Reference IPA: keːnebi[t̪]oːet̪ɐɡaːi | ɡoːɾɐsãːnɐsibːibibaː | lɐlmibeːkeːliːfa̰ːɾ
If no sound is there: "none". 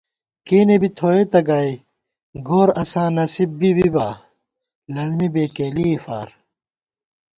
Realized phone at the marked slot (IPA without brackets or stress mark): t̪ʰ